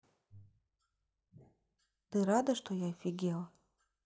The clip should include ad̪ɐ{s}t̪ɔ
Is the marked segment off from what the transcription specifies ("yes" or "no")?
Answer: yes